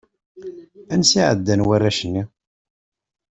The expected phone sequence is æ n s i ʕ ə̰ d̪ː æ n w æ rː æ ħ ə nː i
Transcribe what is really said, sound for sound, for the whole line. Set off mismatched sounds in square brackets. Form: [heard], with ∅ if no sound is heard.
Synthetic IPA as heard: æ n s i ʕ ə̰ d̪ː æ n w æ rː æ [ʃ] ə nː i